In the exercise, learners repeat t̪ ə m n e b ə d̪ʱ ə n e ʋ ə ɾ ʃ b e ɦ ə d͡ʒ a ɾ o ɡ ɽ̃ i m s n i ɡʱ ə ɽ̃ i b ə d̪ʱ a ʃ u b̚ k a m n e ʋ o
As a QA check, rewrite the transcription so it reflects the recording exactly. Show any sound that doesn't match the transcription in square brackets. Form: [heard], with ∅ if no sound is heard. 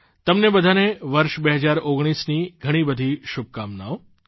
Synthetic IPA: t̪ ə m n e b ə d̪ʱ [a] n e ʋ ə ɾ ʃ b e ɦ ə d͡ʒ a ɾ o ɡ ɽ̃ i [∅] s n i ɡʱ ə ɽ̃ i b ə d̪ʱ [i] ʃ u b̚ k a m n [a] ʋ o